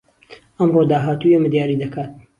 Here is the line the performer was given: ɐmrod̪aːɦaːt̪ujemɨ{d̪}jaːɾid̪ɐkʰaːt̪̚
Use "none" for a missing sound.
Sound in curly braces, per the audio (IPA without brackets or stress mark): d̪